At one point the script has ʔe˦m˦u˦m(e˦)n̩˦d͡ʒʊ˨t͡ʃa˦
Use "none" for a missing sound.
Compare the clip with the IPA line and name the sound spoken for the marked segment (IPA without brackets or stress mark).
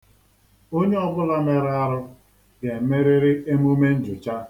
e˦